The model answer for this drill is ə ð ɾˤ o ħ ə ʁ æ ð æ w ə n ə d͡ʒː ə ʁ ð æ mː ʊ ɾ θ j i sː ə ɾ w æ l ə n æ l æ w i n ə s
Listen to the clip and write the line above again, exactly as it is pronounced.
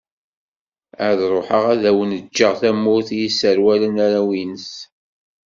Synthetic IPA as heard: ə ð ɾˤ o ħ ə ʁ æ ð æ w ə n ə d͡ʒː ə ʁ θ æ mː ʊ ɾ θ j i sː ə ɾ w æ l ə n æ ɾ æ w i n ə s